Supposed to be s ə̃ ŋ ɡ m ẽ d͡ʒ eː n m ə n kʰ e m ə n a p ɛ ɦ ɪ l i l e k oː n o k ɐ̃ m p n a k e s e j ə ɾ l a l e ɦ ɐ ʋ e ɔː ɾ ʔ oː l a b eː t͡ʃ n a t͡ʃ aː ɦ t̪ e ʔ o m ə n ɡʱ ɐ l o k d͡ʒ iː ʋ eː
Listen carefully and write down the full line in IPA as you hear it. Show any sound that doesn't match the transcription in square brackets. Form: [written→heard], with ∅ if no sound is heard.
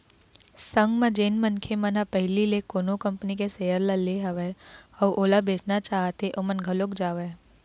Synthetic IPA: s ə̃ ŋ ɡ m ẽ d͡ʒ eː n m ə n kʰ e m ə n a p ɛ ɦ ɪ l i l e k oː n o k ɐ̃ m p n [a→i] k e s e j ə ɾ l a l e ɦ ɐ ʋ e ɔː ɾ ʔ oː l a b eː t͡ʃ n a t͡ʃ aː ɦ t̪ e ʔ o m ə n ɡʱ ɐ l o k d͡ʒ [iː→aː] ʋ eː